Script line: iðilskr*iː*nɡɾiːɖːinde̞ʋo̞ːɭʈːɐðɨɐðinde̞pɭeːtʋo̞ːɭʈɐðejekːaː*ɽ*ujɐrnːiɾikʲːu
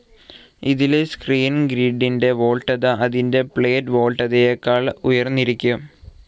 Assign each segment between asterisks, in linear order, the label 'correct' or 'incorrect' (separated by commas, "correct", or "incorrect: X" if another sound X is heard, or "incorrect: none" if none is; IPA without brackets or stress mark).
correct, incorrect: ɭ